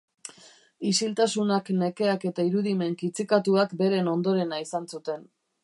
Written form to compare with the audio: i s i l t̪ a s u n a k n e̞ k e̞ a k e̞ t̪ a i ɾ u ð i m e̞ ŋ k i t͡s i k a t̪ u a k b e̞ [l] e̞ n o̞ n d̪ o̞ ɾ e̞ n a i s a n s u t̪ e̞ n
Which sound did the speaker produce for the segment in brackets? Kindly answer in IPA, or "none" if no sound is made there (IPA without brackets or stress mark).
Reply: ɾ